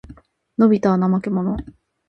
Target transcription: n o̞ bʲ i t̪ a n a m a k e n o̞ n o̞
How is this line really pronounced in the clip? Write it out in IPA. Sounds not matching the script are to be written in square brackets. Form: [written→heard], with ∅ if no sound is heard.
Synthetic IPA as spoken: n o̞ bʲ i t̪ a n a m a k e [n→m] o̞ n o̞